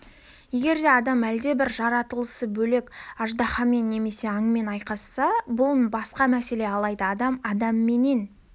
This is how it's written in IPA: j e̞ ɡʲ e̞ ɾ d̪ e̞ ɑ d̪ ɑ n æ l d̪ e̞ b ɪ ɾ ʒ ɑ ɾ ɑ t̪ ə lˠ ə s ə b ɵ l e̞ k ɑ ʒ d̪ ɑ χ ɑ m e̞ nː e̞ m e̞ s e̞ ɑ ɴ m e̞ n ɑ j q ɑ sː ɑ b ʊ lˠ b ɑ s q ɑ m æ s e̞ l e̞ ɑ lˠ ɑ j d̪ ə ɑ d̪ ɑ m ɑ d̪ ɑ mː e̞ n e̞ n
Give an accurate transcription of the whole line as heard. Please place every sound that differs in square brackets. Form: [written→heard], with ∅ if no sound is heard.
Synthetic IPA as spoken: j e̞ ɡʲ e̞ ɾ d̪ e̞ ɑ d̪ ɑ [n→m] æ l d̪ e̞ b ɪ ɾ ʒ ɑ ɾ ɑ t̪ ə lˠ ə s ə b ɵ l e̞ k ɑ ʒ d̪ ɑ χ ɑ m e̞ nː e̞ m e̞ s e̞ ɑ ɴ m e̞ n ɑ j q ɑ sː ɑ b ʊ lˠ b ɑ s q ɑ m æ s e̞ l e̞ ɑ lˠ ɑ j d̪ ə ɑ d̪ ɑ m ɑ d̪ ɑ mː e̞ n e̞ n

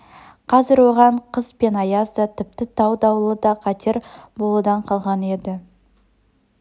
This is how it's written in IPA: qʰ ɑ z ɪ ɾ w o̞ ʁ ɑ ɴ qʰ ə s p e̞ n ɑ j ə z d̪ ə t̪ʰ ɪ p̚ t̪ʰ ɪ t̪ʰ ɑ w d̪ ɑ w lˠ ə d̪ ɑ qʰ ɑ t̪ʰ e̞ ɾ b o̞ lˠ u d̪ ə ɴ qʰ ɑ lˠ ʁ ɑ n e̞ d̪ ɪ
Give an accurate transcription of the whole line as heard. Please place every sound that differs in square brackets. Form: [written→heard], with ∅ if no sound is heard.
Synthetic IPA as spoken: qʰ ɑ z ɪ ɾ w o̞ ʁ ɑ ɴ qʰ ə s p e̞ n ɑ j [ə→ɑ] z d̪ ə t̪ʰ ɪ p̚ [t̪ʰ→t̪] ɪ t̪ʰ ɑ w d̪ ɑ w lˠ ə d̪ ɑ qʰ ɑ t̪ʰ e̞ ɾ b o̞ lˠ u d̪ [ə→ɑ] ɴ qʰ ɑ lˠ ʁ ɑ n e̞ d̪ ɪ

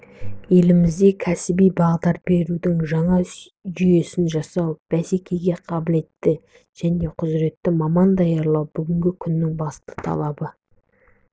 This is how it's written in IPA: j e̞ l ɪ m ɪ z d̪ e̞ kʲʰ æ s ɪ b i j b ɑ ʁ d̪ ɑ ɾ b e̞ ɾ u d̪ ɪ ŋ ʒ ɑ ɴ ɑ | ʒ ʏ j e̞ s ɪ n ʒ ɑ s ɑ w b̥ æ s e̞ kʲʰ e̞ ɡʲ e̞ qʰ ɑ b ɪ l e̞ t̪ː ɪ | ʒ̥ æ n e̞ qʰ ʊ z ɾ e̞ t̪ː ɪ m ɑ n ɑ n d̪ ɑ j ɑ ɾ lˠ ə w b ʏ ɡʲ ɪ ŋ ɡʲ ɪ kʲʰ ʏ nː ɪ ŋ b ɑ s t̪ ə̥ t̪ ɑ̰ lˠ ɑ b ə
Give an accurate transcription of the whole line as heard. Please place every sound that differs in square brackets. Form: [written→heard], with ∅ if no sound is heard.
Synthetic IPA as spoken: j e̞ l ɪ m ɪ z d̪ e̞ kʲʰ æ s ɪ b i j b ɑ ʁ d̪ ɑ ɾ b e̞ ɾ u d̪ ɪ ŋ ʒ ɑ ɴ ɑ | ʒ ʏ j e̞ s ɪ n ʒ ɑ s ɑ w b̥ æ s e̞ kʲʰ e̞ ɡʲ e̞ qʰ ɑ b ɪ l e̞ t̪ː ɪ | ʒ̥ æ n e̞ qʰ ʊ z ɾ e̞ t̪ː ɪ m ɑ [n→m] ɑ n d̪ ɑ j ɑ ɾ lˠ [ə→ɑ] w b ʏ ɡʲ ɪ ŋ ɡʲ ɪ kʲʰ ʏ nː ɪ ŋ b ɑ s t̪ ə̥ [t̪→t̪ʰ] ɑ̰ lˠ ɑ b ə

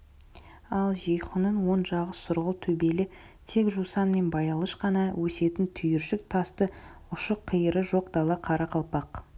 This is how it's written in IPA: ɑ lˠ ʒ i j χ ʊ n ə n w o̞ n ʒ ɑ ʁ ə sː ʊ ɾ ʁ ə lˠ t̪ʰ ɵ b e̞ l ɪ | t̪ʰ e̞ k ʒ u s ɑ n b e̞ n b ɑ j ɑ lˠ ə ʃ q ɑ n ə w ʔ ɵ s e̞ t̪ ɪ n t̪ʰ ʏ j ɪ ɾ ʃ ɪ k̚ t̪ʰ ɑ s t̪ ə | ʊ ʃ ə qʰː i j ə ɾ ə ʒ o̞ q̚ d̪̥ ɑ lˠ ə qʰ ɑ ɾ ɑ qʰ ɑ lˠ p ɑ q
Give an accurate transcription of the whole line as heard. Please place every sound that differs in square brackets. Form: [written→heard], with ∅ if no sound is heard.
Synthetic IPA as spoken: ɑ lˠ ʒ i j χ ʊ n ə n w o̞ n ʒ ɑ ʁ ə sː ʊ ɾ ʁ ə lˠ t̪ʰ ɵ b e̞ l ɪ | t̪ʰ e̞ k ʒ u s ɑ n [b→m] e̞ n b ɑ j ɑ lˠ ə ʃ q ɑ n [ə→ɑ] w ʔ ɵ s e̞ t̪ ɪ n t̪ʰ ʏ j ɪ ɾ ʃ ɪ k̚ t̪ʰ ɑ s t̪ ə | ʊ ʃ ə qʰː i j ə ɾ ə ʒ o̞ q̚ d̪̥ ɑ lˠ [ə→ɑ] qʰ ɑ ɾ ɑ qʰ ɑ lˠ p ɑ q

